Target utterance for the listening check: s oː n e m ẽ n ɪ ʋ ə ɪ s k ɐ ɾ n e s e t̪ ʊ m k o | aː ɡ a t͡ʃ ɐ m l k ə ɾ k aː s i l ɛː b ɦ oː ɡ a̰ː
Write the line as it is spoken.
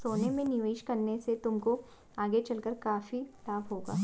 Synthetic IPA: s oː n e m ẽ n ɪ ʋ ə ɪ ʃ k ɐ ɾ n e s e t̪ ʊ m k o | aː ɡ e t͡ʃ ɐ l k ə ɾ k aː f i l aː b ɦ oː ɡ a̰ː